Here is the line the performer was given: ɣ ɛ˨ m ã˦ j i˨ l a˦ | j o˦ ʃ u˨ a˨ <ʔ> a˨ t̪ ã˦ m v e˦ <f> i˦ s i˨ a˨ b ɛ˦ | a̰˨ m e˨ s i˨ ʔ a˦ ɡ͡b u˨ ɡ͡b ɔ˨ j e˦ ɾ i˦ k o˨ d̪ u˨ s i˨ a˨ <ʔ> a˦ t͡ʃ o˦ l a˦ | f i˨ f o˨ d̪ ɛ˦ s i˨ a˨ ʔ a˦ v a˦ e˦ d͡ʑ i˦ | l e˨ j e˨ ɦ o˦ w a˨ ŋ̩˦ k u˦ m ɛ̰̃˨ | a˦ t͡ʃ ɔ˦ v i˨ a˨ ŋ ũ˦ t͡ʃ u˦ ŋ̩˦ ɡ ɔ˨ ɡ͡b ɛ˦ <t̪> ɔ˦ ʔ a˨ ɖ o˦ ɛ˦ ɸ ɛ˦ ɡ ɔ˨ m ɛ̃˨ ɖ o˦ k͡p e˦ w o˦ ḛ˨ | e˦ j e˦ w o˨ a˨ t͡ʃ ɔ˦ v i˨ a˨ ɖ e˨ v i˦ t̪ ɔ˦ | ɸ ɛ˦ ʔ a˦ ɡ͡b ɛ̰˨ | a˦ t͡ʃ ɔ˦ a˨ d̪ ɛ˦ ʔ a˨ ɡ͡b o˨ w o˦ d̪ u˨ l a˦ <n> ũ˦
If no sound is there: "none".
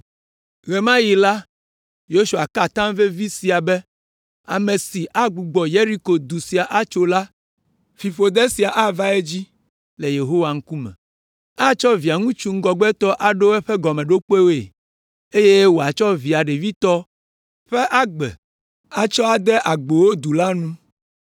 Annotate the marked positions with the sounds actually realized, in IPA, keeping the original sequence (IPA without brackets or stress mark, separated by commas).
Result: k, v, ʔ, t̪, n